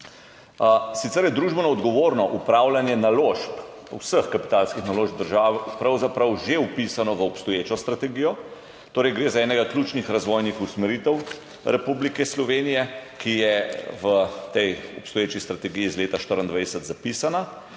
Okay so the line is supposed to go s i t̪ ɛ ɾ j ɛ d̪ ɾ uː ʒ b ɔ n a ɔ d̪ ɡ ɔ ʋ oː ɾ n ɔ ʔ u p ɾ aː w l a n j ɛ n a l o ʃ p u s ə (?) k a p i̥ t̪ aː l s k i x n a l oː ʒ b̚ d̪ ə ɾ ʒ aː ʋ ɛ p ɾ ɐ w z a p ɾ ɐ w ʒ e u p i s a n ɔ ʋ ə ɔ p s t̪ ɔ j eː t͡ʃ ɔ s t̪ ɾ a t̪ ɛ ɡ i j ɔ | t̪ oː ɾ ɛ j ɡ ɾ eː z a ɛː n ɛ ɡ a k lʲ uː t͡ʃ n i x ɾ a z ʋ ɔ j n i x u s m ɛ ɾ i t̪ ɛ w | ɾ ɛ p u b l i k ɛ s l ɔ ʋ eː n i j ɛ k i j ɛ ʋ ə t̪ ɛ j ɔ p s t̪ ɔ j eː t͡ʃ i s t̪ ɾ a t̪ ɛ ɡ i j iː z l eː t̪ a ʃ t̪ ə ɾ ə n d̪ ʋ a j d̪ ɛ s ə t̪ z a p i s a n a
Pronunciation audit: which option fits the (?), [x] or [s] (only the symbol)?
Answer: x